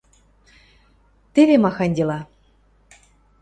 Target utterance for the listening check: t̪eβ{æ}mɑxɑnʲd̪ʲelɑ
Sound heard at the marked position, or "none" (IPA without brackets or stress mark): e